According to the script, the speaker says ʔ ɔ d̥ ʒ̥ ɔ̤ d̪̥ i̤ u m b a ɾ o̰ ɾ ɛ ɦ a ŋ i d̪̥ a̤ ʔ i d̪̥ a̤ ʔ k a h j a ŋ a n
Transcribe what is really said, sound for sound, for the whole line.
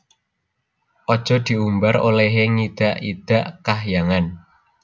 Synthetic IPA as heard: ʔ ɔ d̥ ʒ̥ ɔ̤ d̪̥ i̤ u m b a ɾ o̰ l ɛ ɦ e ŋ i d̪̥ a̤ ʔ i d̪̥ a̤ ʔ k a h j a ŋ a n